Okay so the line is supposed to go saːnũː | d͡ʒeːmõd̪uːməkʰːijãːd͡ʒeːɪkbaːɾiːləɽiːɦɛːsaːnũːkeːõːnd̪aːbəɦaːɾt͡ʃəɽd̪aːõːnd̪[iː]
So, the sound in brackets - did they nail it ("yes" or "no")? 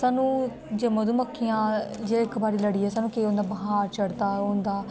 no